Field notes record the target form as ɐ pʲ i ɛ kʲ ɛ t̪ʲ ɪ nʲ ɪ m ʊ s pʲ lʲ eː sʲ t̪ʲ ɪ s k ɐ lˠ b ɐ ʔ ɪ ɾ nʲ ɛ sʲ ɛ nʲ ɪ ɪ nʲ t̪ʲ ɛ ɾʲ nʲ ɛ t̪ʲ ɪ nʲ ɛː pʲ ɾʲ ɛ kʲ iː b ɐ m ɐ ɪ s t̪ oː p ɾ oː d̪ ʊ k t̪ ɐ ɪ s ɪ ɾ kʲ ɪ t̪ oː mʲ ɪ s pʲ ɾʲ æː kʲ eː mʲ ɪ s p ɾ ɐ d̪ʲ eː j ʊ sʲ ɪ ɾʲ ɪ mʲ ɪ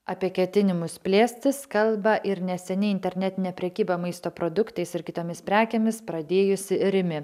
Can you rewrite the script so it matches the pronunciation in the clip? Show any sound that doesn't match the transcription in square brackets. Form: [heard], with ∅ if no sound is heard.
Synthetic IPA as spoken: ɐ pʲ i ɛ kʲ ɛ t̪ʲ ɪ nʲ ɪ m ʊ s pʲ lʲ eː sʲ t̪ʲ ɪ s k ɐ lˠ b ɐ ʔ ɪ ɾ nʲ ɛ sʲ ɛ nʲ ɪ ɪ nʲ t̪ʲ ɛ ɾʲ nʲ ɛ t̪ʲ ɪ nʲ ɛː pʲ ɾʲ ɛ kʲ iː b ɐ m ɐ ɪ s t̪ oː p ɾ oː d̪ ʊ k t̪ ɐ ɪ s ɪ ɾ kʲ ɪ t̪ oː mʲ ɪ s pʲ ɾʲ æː kʲ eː mʲ ɪ s p ɾ ɐ d̪ʲ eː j ʊ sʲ ɪ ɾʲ ɪ mʲ ɪ